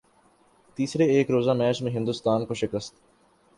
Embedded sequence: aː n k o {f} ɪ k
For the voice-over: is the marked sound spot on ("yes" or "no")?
no